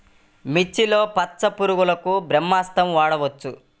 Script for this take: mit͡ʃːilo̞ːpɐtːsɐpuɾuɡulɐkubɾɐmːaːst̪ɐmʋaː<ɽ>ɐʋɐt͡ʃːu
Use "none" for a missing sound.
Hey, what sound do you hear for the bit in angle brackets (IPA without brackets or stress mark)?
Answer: ɽ